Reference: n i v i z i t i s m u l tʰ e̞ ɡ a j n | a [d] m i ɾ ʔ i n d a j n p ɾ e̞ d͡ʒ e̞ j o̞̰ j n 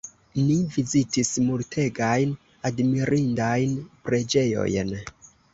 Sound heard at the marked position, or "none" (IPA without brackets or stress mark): d